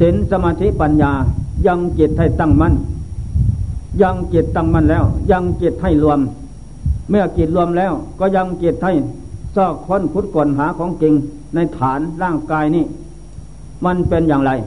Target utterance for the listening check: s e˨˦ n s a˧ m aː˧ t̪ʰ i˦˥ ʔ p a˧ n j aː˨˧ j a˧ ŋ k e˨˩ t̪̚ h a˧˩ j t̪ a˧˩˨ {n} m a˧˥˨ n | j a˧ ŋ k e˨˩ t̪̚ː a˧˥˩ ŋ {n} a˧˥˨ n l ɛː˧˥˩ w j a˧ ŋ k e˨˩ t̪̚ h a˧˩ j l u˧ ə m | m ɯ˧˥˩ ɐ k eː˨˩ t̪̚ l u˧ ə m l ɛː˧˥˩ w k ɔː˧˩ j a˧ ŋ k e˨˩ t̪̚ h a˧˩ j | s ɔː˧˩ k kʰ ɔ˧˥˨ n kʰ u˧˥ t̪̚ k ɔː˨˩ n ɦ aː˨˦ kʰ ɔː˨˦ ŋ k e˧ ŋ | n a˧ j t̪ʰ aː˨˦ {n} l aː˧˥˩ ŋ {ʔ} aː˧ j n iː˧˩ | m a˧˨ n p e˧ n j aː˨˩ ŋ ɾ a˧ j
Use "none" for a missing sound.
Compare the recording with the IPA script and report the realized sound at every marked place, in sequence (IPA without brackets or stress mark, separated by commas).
ŋ, m, n, k